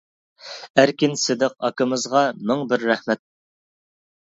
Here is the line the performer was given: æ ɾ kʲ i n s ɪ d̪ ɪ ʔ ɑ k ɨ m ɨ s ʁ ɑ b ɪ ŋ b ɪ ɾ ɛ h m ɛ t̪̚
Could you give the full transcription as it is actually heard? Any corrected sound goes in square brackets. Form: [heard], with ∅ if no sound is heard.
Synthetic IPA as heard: æ ɾ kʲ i n s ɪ d̪ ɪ [q] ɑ k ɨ m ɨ [z] ʁ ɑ [m] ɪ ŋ b ɪ [ɾː] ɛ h m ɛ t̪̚